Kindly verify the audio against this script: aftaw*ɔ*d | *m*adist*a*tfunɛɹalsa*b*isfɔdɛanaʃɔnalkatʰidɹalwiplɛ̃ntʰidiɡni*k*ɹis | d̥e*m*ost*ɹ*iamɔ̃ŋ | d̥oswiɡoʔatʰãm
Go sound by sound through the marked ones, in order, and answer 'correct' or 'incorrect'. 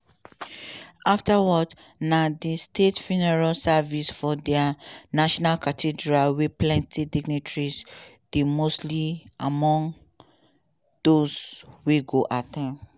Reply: correct, incorrect: n, incorrect: e, incorrect: v, incorrect: t, correct, incorrect: l

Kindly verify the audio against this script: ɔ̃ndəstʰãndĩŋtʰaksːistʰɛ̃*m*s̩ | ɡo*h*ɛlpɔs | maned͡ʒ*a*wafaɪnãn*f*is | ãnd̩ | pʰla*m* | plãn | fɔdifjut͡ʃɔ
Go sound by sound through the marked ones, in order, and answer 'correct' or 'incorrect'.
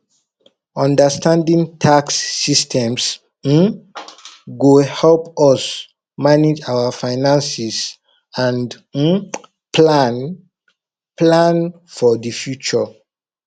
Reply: correct, correct, correct, incorrect: s, incorrect: n

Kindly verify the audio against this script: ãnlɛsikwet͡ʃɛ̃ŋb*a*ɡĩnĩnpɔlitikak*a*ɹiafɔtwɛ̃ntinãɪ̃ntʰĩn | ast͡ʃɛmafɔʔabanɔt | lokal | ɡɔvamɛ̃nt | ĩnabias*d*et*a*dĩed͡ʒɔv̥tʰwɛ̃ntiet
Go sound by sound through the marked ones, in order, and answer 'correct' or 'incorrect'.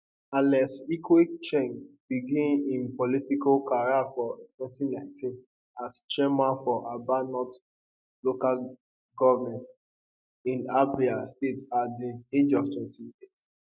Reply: incorrect: i, correct, incorrect: t, correct

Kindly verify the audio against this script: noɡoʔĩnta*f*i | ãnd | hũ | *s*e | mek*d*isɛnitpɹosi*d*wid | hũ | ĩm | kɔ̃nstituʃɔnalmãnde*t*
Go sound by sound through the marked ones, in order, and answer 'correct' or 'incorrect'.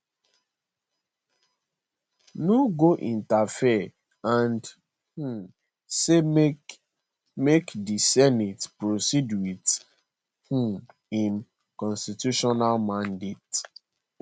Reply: correct, correct, correct, correct, correct

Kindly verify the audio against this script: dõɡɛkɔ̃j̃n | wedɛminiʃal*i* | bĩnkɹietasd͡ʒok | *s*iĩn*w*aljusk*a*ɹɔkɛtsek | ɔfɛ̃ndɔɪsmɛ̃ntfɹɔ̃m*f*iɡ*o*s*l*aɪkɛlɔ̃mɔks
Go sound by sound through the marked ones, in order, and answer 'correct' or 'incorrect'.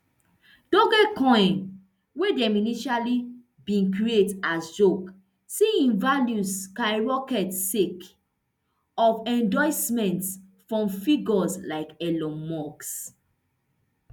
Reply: correct, correct, incorrect: v, correct, correct, incorrect: ɔ, correct

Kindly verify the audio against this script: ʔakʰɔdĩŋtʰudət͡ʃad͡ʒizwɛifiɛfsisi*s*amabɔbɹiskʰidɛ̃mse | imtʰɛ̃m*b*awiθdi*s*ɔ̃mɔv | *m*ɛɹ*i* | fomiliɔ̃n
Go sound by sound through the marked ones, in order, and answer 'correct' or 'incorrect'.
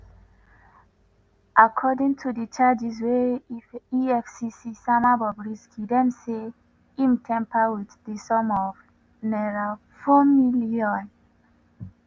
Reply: correct, incorrect: p, correct, incorrect: n, incorrect: a

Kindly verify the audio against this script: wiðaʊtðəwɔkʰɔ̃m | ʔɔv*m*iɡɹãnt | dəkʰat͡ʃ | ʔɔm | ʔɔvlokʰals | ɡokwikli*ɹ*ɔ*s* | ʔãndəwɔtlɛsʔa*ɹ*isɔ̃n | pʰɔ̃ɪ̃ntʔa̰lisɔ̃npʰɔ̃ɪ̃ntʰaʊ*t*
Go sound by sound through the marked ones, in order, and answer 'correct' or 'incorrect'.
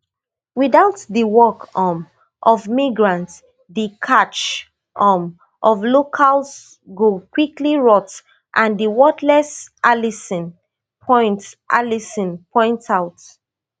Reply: correct, correct, incorrect: t, incorrect: l, correct

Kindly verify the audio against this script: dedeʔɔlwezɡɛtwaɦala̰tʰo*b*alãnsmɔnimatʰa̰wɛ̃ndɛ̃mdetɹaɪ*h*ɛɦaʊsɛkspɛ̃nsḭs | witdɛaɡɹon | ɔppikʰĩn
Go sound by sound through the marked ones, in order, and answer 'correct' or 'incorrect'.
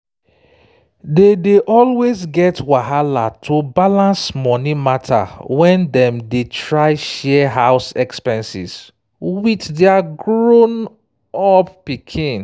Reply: correct, incorrect: ʃ

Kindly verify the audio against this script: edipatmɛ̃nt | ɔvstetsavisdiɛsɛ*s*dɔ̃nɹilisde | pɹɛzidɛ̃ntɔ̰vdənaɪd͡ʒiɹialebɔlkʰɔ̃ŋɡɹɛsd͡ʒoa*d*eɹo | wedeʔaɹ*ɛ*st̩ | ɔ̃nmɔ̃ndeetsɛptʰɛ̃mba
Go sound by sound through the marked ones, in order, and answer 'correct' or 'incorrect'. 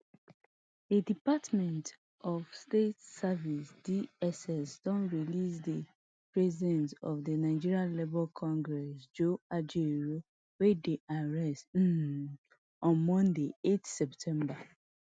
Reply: correct, incorrect: d͡ʒ, correct

